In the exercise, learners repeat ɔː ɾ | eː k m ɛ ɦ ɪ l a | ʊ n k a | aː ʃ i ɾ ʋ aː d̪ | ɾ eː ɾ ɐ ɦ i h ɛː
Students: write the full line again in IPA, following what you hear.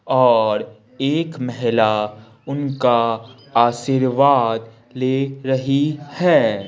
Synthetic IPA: ɔː ɾ | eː k m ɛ ɦ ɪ l a | ʊ n k a | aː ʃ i ɾ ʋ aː d̪ | l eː ɾ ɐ ɦ i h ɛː